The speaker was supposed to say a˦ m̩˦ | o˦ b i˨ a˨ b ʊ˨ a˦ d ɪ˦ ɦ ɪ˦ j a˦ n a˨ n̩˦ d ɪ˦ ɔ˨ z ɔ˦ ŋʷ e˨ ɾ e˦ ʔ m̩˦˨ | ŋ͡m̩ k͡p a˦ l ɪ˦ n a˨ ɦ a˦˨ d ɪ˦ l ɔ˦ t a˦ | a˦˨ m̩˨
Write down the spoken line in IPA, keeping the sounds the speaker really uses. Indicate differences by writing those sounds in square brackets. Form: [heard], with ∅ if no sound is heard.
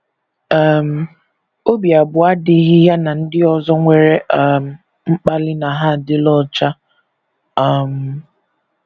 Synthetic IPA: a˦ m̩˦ | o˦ b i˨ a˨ b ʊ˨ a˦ d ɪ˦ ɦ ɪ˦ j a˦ n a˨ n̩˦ d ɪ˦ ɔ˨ z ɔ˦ ŋʷ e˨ ɾ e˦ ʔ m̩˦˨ | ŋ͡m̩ k͡p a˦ l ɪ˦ n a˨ ɦ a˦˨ d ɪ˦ l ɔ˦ [t͡ʃ] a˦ | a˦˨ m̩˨